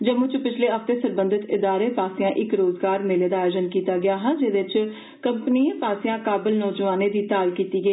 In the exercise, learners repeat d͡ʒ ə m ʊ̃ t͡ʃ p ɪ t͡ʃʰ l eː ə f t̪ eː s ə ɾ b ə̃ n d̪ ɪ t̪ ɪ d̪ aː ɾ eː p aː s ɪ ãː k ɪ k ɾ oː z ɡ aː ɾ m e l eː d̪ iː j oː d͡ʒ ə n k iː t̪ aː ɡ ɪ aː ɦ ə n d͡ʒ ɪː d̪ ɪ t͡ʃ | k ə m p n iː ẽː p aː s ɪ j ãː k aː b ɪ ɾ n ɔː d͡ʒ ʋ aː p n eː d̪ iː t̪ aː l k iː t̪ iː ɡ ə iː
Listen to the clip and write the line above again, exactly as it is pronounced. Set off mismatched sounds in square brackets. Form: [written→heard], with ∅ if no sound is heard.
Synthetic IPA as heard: d͡ʒ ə m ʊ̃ t͡ʃ p ɪ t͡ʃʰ l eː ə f t̪ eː s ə ɾ b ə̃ n d̪ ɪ t̪ ɪ d̪ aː ɾ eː p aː s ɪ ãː [k→ʔ] ɪ k ɾ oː z ɡ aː ɾ m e l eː d̪ [iː→aː] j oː d͡ʒ ə n k iː t̪ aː ɡ ɪ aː ɦ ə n d͡ʒ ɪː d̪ ɪ t͡ʃ | k ə m p n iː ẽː p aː s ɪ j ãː k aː b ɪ [ɾ→l] n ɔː d͡ʒ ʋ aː [p→∅] n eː d̪ iː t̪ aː l k iː t̪ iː ɡ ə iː